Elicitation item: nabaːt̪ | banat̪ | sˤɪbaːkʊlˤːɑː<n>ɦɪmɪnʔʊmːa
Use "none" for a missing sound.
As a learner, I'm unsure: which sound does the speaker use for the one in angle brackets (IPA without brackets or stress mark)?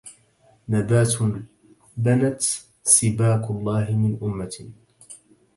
none